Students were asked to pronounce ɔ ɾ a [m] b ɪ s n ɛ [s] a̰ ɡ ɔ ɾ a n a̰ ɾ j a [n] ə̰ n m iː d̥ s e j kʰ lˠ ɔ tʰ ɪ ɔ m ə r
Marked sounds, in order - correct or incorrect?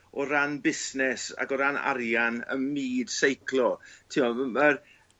incorrect, correct, correct

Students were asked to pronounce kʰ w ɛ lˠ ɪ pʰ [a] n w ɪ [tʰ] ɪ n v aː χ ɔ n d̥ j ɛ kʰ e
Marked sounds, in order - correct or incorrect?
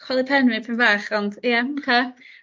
incorrect, incorrect

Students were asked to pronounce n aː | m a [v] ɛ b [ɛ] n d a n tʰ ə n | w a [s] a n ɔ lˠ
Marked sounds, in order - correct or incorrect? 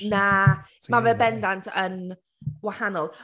correct, correct, incorrect

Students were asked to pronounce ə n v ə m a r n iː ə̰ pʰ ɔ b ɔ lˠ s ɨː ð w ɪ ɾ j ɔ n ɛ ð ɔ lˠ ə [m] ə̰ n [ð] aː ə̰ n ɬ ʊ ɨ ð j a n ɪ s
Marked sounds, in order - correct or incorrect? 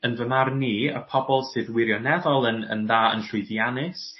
incorrect, correct

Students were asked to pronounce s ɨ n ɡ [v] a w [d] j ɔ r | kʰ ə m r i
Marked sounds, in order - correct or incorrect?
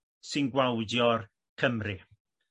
incorrect, correct

